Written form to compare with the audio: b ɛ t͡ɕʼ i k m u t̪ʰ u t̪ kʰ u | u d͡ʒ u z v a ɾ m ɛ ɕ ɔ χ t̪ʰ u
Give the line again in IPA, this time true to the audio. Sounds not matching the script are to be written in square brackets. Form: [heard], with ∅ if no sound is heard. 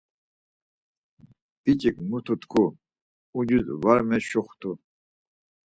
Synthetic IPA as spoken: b [i] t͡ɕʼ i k m u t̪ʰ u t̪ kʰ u | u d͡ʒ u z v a ɾ m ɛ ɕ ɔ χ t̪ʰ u